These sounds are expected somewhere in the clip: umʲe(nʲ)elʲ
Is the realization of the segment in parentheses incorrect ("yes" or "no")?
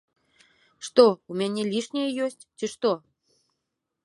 no